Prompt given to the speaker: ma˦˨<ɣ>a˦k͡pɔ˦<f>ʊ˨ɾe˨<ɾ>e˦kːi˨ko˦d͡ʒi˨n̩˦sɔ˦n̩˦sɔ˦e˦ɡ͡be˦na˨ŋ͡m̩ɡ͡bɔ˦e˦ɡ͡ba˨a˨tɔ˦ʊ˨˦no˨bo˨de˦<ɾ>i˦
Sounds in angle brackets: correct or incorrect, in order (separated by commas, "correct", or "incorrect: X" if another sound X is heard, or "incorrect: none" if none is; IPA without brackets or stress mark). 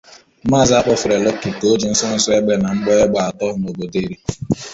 incorrect: z, correct, incorrect: l, correct